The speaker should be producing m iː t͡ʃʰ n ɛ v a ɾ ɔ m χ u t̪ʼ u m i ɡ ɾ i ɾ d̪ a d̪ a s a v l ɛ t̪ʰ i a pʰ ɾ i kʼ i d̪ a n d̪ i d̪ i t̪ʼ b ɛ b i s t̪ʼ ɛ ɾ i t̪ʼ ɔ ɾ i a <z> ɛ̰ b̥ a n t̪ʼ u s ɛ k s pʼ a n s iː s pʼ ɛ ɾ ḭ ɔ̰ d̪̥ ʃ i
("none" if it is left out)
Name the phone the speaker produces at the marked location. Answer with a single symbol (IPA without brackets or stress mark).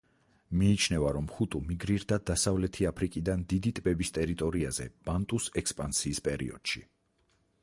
z